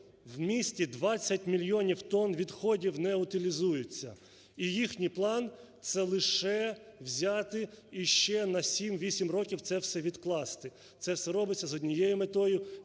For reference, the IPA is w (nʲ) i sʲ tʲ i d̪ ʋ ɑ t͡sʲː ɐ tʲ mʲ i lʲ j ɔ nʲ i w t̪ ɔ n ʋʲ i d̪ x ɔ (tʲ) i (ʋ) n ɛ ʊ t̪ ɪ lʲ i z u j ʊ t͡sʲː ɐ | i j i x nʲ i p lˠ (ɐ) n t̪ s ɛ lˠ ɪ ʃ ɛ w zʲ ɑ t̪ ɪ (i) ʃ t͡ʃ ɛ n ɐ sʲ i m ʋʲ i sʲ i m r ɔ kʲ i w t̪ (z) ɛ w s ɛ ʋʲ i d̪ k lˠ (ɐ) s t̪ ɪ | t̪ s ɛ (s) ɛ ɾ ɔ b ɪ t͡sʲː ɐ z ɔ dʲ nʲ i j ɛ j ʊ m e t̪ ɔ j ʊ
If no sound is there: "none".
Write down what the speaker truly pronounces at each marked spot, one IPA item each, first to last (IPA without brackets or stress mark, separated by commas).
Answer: mʲ, dʲ, w, ɑ, i, s, ɑ, s